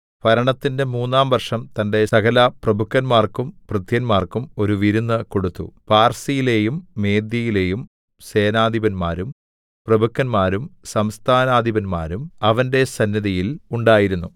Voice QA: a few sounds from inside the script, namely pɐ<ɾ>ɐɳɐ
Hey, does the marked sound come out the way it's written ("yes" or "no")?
yes